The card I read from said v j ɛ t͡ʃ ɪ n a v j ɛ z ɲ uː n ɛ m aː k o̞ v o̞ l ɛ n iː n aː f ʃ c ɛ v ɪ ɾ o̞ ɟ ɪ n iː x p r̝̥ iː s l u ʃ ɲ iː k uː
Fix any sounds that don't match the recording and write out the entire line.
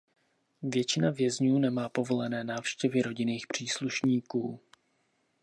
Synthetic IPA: v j ɛ t͡ʃ ɪ n a v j ɛ z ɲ uː n ɛ m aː p o̞ v o̞ l ɛ n ɛː n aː f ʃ c ɛ v ɪ ɾ o̞ ɟ ɪ n iː x p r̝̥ iː s l u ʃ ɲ iː k uː